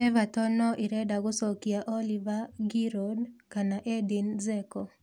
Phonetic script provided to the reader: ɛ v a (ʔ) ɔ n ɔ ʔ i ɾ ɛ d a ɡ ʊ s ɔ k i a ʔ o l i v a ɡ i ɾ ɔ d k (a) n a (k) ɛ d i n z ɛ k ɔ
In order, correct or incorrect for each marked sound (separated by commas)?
incorrect, correct, incorrect